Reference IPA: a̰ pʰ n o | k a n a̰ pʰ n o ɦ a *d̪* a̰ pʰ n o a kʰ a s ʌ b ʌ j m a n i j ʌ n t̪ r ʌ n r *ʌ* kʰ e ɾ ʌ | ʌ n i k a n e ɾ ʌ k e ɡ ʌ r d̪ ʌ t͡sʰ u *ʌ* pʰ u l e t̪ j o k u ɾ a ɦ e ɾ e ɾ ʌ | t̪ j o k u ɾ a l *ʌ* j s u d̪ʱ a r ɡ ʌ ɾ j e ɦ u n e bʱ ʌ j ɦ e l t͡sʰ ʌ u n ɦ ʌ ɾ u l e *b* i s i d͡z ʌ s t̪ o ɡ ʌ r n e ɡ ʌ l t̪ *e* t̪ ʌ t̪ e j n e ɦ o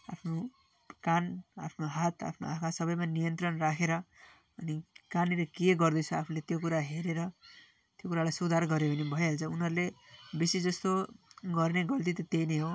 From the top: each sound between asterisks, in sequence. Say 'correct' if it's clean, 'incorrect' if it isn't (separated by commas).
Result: incorrect, incorrect, incorrect, incorrect, correct, incorrect